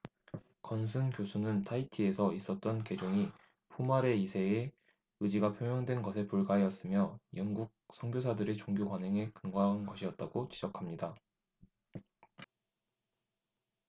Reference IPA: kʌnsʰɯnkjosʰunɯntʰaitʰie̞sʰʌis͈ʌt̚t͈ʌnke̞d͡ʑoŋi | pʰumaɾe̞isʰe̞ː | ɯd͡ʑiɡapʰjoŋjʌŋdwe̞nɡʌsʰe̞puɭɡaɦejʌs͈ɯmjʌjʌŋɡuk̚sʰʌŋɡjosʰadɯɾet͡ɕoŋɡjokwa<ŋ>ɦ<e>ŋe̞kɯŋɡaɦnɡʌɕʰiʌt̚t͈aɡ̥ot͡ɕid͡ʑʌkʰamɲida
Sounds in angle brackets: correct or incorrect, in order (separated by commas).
incorrect, correct